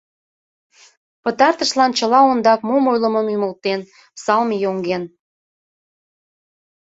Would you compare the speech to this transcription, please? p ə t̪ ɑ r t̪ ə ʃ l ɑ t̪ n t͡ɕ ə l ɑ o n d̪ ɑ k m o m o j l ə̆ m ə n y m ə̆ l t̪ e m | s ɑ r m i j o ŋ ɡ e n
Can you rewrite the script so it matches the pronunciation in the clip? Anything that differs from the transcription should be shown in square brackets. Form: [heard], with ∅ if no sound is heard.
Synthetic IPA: p ə t̪ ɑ r t̪ ə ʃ l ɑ [∅] n t͡ɕ ə l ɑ o n d̪ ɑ k m o m o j l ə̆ m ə [m] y m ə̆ l t̪ e [n] | s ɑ [l] m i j o ŋ ɡ e n